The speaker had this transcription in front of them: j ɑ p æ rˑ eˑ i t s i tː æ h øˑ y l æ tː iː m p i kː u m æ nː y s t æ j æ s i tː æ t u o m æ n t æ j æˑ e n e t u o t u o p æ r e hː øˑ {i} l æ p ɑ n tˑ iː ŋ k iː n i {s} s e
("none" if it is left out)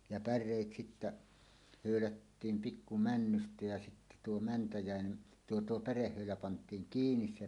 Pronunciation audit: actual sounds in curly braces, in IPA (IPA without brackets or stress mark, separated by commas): y, s